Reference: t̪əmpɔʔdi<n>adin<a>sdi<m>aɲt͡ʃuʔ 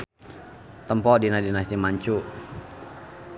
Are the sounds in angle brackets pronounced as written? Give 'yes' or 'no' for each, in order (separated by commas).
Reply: yes, yes, yes